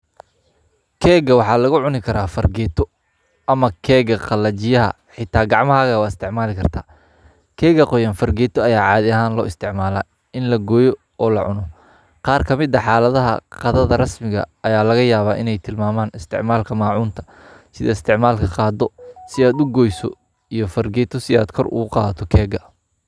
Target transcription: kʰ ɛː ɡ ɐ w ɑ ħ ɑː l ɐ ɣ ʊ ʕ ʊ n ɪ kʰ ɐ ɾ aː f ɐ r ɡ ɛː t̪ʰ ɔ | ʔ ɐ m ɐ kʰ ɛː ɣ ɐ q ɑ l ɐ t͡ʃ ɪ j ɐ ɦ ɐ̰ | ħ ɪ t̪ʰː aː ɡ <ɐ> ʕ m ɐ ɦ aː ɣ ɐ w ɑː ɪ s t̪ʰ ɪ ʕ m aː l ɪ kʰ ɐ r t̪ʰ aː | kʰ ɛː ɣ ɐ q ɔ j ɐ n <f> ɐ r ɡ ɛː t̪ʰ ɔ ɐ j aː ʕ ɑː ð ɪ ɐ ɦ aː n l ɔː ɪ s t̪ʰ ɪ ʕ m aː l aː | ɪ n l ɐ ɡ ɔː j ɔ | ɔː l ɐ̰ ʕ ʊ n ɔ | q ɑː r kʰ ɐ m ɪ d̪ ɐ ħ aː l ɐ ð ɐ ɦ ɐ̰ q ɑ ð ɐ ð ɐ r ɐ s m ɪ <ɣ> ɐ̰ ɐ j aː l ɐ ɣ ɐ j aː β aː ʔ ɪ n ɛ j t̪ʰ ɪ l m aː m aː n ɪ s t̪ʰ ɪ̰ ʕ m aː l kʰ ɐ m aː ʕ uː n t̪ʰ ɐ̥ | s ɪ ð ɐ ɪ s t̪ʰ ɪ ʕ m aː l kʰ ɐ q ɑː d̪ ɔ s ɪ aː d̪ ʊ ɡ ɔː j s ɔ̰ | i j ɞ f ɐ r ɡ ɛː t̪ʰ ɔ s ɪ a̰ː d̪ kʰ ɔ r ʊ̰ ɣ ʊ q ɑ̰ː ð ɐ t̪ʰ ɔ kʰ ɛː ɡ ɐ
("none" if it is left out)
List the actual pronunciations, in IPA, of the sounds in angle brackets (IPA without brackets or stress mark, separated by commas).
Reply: ɑ, f, ɣ